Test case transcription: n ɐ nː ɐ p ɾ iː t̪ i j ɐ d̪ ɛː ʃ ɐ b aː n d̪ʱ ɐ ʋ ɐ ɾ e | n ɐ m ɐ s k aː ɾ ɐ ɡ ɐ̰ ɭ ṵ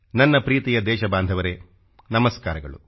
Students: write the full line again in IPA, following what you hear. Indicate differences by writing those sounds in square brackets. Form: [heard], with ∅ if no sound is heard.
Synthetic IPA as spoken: n ɐ nː ɐ p ɾ iː t̪ i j ɐ d̪ ɛː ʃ ɐ b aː n d̪ʱ ɐ ʋ ɐ ɾ e | n ɐ m ɐ s k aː ɾ ɐ ɡ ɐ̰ ɭ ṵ

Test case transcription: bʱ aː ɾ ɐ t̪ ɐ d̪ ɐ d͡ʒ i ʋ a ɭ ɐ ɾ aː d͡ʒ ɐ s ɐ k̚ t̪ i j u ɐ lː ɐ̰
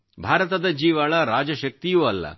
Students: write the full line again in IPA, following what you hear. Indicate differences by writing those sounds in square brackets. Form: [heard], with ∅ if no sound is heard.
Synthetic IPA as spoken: bʱ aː ɾ ɐ t̪ ɐ d̪ ɐ d͡ʒ [iː] ʋ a ɭ ɐ ɾ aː d͡ʒ ɐ [ʃ] ɐ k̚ t̪ i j u ɐ lː ɐ̰

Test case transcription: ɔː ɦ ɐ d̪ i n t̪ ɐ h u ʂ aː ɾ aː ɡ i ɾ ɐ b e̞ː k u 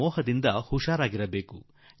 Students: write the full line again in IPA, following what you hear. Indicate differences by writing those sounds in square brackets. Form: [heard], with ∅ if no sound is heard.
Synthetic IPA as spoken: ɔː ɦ ɐ d̪ i n [d̪] ɐ h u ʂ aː ɾ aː ɡ i ɾ ɐ b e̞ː k u

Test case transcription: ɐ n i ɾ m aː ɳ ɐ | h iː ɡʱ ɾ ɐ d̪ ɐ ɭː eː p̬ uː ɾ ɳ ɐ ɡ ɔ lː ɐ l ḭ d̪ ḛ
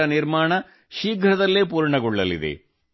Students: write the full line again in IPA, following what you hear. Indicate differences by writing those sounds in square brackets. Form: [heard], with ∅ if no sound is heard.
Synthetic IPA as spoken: ɐ n i ɾ m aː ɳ ɐ | [ʃ] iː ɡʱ ɾ ɐ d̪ ɐ [lː] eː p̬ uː ɾ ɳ ɐ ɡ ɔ [ɭː] ɐ l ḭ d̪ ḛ

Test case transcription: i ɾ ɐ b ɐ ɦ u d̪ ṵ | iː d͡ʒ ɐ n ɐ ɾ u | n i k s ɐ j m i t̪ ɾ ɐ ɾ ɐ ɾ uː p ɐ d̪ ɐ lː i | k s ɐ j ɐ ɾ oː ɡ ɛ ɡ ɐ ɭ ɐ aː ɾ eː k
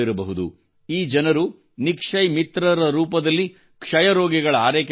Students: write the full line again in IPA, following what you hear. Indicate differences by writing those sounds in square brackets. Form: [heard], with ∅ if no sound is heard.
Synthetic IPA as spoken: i ɾ ɐ b ɐ ɦ u d̪ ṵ | iː d͡ʒ ɐ n ɐ ɾ u | n i k [ʂ] ɐ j m i t̪ ɾ ɐ ɾ ɐ ɾ uː p ɐ d̪ ɐ lː i | k [ʂ] ɐ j ɐ ɾ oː ɡ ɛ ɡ ɐ ɭ ɐ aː ɾ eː k

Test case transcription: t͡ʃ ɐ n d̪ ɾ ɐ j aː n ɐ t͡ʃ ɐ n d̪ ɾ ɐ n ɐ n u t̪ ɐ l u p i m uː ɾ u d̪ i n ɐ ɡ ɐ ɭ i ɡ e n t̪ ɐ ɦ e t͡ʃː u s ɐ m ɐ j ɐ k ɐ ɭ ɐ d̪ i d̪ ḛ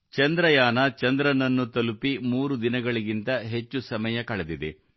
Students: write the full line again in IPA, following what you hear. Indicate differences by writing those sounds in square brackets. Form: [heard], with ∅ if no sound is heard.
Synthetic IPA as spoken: t͡ʃ ɐ n d̪ ɾ ɐ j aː n ɐ t͡ʃ ɐ n d̪ ɾ ɐ n ɐ [nː] u t̪ ɐ l u p i m uː ɾ u d̪ i n ɐ ɡ ɐ ɭ i ɡ [i] n t̪ ɐ ɦ e t͡ʃː u s ɐ m ɐ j ɐ k ɐ ɭ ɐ d̪ i d̪ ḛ

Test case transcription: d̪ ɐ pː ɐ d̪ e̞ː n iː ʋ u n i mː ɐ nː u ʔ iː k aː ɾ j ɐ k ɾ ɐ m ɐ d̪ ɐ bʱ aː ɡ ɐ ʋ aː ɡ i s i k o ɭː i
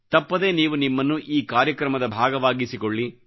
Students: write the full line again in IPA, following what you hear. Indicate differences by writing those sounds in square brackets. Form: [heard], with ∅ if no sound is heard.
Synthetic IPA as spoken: [t̪] ɐ pː ɐ d̪ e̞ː n iː ʋ u n i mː ɐ nː u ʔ iː k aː ɾ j ɐ k ɾ ɐ m ɐ d̪ ɐ bʱ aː ɡ ɐ ʋ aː ɡ i s i k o ɭː i

